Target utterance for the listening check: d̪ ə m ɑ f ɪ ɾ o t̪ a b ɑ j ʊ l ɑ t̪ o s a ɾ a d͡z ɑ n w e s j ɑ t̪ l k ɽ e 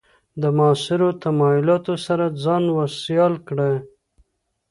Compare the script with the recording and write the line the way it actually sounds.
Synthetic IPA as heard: d̪ ə m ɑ s ɪ ɾ o t̪ a m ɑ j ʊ l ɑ t̪ o s a ɾ a d͡z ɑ n w a s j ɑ l k ɽ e